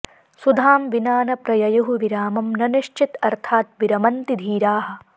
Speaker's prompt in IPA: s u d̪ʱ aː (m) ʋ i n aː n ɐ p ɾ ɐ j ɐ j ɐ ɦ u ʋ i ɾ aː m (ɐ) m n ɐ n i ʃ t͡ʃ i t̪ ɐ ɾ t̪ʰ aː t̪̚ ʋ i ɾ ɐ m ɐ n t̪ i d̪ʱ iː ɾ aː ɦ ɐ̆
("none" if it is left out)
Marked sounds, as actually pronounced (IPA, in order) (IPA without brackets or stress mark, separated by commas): m, ɐ